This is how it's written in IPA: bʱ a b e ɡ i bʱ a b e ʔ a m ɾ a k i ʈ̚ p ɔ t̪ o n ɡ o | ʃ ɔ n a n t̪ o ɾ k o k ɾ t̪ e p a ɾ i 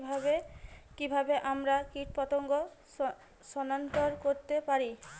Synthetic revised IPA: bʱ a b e k i bʱ a b e ʔ a m ɾ a k i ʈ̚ p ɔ t̪ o ŋ ɡ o | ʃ ɔ n a n t̪ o ɾ k o ɾ t̪ e p a ɾ i